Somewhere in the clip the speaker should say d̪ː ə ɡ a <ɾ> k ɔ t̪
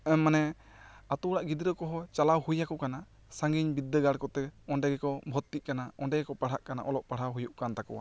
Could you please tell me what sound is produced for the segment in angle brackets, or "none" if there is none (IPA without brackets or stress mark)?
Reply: ɽ